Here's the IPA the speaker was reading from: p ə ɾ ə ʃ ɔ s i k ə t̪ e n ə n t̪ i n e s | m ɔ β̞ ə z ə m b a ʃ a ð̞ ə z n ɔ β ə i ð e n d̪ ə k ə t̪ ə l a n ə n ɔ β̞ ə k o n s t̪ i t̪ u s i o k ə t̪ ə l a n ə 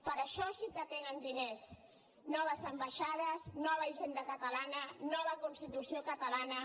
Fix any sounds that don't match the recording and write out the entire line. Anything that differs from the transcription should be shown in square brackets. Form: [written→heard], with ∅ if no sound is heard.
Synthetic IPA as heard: p ə ɾ ə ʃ ɔ s i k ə t̪ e n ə n [t̪→d̪] i n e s | [m→n] ɔ β̞ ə z ə m b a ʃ a ð̞ ə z n ɔ β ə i [ð→ʒ] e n d̪ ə k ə t̪ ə l a n ə n ɔ β̞ ə k [o→u] n s t̪ i t̪ u s i o k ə t̪ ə l a n ə